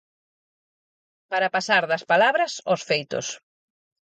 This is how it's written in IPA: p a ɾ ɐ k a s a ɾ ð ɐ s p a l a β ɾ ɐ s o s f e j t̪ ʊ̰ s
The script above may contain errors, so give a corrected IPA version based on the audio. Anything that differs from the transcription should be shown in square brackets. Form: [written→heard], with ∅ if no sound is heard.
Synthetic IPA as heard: p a ɾ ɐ [k→p] a s a ɾ ð ɐ s p a l a β ɾ ɐ s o s f e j t̪ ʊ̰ s